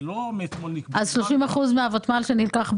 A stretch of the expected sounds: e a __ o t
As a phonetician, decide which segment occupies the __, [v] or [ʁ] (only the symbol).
v